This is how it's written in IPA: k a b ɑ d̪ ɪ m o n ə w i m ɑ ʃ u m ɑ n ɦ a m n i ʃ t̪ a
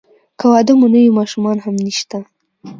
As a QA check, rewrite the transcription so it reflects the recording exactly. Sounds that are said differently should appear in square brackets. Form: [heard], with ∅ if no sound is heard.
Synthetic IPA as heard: k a [w] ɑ d̪ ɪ m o n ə w i m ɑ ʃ u m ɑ n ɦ a m n i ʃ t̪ a